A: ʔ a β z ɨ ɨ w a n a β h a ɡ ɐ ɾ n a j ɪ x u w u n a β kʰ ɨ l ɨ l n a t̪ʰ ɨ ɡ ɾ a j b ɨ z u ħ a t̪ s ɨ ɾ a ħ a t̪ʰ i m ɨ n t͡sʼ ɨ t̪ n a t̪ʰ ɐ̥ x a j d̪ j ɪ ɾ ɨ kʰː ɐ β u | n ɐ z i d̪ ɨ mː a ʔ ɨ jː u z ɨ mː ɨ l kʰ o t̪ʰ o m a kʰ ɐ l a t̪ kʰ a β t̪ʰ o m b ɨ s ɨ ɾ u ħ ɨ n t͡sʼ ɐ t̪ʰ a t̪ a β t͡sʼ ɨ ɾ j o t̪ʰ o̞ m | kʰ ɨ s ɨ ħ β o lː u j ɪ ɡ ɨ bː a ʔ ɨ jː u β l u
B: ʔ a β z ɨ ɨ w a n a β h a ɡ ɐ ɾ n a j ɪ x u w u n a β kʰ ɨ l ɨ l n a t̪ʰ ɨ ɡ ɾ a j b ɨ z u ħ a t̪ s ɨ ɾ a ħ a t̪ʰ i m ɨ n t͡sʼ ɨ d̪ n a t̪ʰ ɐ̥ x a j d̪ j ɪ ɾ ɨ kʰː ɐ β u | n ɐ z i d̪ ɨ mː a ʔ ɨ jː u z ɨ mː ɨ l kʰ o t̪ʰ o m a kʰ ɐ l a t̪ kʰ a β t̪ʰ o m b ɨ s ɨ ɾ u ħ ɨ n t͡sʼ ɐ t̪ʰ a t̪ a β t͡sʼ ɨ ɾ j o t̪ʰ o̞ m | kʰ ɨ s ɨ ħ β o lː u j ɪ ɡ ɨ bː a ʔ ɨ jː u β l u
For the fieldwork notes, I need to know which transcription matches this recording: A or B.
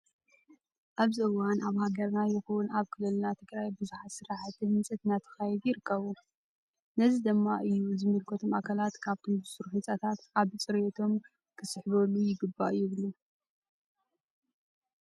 A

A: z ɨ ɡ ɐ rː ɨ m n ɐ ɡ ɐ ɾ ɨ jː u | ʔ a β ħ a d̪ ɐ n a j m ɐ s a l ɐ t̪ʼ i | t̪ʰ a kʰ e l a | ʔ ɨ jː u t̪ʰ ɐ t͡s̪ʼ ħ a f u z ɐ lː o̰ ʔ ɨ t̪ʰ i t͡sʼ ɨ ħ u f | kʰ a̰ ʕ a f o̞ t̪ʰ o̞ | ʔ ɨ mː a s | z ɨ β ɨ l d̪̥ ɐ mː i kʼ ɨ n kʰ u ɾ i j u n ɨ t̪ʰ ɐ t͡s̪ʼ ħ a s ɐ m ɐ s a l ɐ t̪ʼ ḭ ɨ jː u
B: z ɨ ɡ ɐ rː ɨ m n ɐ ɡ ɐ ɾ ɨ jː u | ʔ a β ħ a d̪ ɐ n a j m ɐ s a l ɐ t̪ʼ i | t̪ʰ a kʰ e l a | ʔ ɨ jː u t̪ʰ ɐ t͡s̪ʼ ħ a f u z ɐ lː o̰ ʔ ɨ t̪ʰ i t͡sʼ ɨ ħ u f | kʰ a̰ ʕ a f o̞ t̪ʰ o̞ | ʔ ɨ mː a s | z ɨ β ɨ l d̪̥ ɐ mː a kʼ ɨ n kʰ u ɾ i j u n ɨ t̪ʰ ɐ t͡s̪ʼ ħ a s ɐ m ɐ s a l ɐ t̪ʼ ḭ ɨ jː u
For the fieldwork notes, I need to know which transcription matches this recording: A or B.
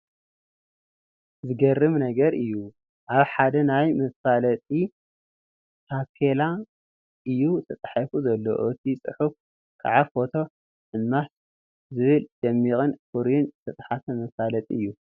A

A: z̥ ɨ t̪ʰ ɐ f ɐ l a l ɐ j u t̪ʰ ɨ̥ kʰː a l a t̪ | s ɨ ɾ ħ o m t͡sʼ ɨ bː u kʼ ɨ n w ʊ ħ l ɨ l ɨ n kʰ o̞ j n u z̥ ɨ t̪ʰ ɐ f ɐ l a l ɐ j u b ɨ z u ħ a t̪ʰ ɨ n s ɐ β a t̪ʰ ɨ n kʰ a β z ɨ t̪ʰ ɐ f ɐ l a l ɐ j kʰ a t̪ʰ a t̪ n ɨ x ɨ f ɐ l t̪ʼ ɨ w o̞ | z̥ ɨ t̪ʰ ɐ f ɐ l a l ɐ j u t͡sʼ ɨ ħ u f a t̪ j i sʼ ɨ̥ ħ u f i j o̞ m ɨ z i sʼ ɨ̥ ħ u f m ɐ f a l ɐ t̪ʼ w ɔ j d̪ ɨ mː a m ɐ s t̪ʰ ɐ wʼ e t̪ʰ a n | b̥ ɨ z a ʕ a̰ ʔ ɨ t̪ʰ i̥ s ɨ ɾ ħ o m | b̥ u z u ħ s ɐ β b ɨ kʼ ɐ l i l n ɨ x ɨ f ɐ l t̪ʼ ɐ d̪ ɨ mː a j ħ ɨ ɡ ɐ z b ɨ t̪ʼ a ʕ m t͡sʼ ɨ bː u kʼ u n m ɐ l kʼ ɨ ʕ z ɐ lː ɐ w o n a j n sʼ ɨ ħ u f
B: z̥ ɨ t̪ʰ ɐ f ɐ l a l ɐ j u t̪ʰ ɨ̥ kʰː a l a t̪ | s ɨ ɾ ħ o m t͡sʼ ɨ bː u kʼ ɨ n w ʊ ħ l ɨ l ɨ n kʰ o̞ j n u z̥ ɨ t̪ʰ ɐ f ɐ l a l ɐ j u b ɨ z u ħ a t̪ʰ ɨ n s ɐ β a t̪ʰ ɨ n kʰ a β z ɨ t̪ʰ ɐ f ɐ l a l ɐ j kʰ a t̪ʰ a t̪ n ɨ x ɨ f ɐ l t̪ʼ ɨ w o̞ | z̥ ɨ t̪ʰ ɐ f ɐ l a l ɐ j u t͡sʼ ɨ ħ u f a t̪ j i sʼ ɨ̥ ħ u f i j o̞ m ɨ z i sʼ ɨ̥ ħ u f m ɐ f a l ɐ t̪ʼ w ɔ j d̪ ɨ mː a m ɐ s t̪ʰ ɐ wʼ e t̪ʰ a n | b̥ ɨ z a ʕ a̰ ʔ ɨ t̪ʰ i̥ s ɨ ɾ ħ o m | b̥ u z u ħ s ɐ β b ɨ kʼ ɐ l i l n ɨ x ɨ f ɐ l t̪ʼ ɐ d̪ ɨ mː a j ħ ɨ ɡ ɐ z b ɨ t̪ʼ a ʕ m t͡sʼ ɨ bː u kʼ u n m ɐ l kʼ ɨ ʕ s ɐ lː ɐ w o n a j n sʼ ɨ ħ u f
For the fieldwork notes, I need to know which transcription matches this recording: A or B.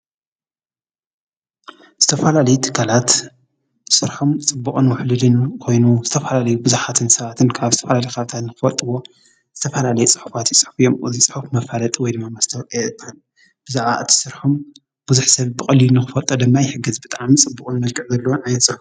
A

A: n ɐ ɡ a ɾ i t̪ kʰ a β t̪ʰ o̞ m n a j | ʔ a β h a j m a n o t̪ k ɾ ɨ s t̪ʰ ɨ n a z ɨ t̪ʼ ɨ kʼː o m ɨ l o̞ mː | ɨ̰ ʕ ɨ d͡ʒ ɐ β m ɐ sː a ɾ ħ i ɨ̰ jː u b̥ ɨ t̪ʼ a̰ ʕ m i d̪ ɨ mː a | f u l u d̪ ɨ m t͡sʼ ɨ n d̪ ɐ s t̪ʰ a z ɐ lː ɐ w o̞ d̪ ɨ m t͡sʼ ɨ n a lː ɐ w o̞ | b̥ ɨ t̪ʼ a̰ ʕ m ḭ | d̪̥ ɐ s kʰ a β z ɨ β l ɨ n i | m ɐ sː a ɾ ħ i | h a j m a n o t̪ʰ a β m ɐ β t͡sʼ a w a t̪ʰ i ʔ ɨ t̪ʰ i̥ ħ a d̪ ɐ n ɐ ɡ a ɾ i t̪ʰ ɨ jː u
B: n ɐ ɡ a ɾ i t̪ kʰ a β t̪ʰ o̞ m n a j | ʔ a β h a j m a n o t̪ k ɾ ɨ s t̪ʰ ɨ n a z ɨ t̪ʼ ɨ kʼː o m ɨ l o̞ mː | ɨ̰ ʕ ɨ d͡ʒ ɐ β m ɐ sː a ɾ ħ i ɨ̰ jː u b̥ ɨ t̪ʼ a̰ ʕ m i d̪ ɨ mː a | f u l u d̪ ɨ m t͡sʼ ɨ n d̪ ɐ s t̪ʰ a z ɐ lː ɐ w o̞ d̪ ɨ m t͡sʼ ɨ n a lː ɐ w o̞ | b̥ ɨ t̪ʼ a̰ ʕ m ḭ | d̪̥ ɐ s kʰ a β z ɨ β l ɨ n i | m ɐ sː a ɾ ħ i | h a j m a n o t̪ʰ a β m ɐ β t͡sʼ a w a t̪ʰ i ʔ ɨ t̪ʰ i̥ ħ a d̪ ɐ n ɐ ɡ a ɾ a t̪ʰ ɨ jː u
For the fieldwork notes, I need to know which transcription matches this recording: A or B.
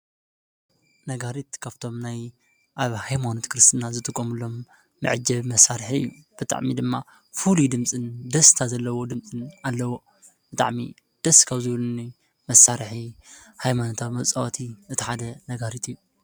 A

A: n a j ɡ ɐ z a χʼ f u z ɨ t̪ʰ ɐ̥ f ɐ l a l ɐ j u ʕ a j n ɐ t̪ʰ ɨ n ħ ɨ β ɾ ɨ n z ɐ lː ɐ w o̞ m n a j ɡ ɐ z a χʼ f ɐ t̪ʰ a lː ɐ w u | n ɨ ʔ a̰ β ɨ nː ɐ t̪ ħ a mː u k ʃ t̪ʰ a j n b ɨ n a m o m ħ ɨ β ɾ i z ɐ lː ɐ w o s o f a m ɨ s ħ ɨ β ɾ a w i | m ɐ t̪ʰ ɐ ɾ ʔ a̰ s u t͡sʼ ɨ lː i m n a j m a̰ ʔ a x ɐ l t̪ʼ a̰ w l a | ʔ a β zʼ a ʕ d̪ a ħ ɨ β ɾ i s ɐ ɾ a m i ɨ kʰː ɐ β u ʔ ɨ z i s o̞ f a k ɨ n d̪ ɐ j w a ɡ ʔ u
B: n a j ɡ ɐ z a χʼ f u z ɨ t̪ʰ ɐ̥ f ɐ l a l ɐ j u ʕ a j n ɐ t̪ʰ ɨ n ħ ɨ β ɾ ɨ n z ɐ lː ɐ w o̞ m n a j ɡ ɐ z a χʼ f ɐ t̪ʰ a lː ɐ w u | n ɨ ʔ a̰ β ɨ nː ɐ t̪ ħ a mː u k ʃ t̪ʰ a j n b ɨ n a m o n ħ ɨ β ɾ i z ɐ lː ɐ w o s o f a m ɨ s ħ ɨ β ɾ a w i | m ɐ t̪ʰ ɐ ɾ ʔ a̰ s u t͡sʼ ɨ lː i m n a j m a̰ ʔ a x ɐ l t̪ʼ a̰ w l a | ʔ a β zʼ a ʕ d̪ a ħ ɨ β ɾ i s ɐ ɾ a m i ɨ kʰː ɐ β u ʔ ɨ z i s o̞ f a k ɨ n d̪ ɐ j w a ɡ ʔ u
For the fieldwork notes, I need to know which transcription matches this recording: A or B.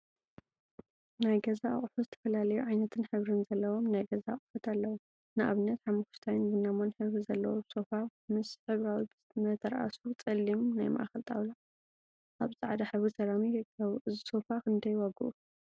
B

